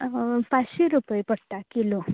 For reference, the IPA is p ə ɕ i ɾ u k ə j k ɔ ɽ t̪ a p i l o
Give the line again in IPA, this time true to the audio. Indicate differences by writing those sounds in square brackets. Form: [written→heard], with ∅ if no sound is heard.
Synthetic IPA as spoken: p [ə→a] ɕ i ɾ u [k→p] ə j [k→p] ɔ ɽ t̪ a [p→k] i l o